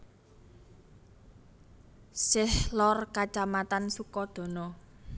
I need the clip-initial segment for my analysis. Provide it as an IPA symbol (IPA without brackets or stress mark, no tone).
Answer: s